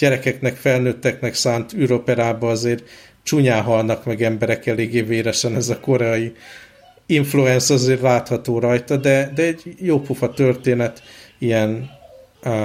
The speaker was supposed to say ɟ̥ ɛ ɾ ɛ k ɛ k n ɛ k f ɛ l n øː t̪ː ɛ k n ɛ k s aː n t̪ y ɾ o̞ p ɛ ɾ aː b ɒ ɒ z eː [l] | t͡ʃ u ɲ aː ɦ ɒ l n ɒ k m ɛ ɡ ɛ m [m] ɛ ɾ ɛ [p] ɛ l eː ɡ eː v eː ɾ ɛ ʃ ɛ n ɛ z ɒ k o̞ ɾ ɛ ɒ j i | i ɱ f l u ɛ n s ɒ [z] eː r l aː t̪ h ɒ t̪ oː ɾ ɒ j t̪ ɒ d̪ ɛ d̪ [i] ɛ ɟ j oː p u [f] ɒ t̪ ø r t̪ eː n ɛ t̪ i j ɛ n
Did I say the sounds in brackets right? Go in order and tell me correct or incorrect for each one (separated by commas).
incorrect, incorrect, incorrect, correct, incorrect, correct